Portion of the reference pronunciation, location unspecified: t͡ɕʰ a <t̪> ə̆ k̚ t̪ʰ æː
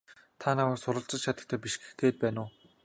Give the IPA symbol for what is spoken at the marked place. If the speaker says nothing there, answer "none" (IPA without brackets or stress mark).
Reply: t̪